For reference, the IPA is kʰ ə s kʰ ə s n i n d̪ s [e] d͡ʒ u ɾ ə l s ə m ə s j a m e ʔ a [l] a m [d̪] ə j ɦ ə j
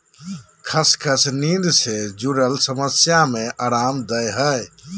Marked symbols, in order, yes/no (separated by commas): yes, no, yes